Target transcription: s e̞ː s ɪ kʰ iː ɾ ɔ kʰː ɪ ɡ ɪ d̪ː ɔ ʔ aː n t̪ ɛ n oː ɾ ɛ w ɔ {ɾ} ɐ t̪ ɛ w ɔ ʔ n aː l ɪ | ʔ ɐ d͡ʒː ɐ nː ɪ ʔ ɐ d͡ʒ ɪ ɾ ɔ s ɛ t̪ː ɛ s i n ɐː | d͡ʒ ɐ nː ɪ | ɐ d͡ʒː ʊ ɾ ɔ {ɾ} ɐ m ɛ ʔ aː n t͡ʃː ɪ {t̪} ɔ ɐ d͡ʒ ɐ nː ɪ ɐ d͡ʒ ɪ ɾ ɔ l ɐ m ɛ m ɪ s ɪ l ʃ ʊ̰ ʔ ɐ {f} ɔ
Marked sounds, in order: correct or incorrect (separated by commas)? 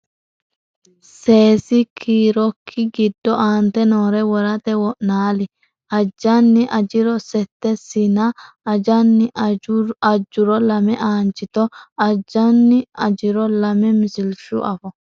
correct, incorrect, correct, correct